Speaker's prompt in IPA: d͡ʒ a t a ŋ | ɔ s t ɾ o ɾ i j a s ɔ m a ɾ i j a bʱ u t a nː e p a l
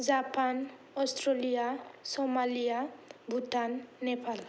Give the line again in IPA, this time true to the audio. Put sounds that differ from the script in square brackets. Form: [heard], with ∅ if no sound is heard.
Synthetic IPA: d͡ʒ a [p] a [n] | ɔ s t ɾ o [l] i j a s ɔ m a [l] i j a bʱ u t a nː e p a l